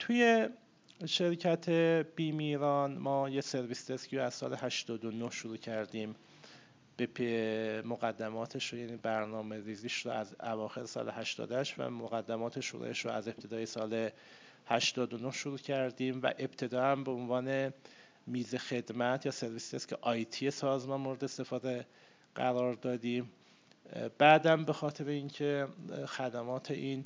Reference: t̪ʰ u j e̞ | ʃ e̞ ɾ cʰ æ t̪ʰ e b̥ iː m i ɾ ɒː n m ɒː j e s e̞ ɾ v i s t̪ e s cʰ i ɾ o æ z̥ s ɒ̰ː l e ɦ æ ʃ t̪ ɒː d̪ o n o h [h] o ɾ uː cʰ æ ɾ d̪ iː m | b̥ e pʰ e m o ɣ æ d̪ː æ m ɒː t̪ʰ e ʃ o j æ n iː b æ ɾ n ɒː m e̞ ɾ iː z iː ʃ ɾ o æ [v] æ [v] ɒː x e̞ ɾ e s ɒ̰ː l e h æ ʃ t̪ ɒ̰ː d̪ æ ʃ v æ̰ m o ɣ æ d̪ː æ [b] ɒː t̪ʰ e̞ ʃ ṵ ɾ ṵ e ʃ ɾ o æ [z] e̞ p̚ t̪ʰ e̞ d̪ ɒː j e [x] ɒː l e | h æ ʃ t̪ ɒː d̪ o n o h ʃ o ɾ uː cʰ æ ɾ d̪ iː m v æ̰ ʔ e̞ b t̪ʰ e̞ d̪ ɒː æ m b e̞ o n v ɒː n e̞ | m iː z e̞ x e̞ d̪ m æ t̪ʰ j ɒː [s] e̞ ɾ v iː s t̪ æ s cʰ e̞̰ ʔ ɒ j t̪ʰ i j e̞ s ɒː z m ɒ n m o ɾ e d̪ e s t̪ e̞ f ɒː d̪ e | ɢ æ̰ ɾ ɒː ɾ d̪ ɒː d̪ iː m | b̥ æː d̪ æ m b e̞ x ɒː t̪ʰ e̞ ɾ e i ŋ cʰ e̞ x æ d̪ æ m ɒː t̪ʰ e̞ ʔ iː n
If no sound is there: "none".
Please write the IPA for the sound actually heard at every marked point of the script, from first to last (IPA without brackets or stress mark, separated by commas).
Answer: ʃ, z, v, m, z, s, s